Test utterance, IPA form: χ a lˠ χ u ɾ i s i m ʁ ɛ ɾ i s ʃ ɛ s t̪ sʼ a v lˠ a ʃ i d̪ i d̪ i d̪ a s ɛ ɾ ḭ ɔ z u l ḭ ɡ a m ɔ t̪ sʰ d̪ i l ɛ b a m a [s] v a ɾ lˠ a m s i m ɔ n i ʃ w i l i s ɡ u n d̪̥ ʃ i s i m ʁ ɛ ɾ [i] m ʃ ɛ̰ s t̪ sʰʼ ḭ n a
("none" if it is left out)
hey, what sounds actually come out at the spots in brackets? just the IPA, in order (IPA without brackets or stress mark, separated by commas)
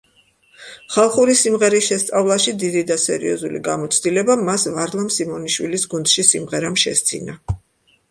s, a